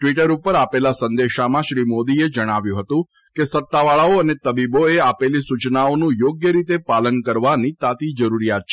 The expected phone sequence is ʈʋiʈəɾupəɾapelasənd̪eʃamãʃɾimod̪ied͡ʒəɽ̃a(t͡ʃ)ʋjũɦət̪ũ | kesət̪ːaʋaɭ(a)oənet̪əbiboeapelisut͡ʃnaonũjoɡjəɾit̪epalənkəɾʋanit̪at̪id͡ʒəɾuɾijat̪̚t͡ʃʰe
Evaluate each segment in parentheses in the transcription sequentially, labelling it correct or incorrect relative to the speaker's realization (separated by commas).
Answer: incorrect, correct